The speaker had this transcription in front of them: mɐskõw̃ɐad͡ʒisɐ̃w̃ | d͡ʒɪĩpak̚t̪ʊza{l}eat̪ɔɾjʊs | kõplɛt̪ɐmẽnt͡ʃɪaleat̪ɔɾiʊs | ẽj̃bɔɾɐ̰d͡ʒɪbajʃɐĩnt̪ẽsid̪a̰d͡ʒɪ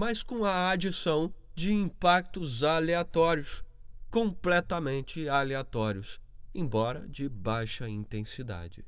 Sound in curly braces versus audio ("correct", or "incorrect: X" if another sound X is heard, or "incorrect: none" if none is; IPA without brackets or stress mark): correct